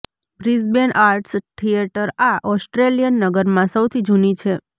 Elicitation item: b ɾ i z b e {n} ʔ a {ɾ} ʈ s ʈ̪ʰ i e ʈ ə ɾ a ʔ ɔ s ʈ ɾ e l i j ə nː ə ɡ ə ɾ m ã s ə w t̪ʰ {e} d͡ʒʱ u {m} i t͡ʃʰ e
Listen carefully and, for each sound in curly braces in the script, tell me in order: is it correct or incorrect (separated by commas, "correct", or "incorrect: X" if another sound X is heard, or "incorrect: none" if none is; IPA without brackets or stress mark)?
correct, correct, incorrect: i, incorrect: n